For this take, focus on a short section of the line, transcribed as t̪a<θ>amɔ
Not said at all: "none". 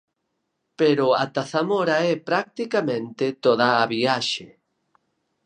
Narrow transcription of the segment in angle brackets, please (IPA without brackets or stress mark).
θ